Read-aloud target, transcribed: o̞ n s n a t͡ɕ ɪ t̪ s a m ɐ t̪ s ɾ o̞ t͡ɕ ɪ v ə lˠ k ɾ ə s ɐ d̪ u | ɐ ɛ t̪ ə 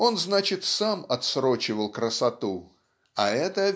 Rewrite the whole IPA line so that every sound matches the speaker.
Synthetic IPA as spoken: o̞ n z n a t͡ɕ ɪ t̪ s a m ɐ t̪ s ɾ o̞ t͡ɕ ɪ v ə lˠ k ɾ ə s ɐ t̪ u | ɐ ɛ t̪ ə